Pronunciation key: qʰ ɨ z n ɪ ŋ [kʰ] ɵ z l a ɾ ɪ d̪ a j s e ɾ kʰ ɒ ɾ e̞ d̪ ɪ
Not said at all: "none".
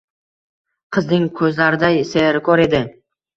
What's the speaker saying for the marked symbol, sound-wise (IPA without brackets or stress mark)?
kʰ